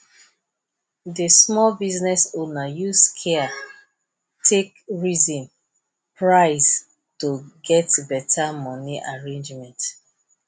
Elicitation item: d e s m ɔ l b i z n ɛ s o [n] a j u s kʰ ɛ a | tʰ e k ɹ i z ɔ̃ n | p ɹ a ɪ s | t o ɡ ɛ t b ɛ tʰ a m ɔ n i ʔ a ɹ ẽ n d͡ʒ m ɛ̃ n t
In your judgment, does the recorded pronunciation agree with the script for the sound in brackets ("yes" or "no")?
yes